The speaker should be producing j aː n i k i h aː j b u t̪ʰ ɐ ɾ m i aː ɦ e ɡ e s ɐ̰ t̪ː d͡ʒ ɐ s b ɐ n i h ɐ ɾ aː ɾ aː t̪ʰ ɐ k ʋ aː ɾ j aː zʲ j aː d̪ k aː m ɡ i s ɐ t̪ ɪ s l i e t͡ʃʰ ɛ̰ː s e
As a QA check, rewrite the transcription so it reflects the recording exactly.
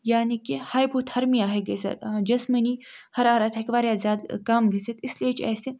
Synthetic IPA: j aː n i k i h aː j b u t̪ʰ ɐ ɾ m i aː ɦ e ɡ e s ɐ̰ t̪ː d͡ʒ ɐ s m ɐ n i h ɐ ɾ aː ɾ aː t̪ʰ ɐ k ʋ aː ɾ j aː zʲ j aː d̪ k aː m ɡ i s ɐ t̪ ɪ s l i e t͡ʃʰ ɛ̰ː s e